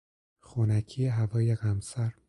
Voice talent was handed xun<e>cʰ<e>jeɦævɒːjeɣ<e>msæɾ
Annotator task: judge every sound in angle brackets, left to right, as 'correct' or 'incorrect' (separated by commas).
incorrect, incorrect, incorrect